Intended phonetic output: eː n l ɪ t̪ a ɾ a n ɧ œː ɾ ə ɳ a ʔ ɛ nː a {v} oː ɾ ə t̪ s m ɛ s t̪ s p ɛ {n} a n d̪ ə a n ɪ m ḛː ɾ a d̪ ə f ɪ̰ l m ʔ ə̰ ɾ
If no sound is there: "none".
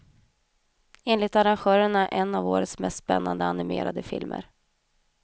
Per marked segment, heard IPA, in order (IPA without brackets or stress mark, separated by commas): v, nː